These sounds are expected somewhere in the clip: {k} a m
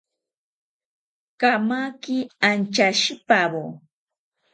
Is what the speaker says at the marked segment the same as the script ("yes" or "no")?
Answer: yes